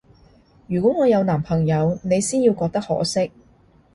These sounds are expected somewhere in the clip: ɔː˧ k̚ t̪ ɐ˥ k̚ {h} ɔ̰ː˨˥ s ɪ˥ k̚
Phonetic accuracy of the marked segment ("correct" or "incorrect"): correct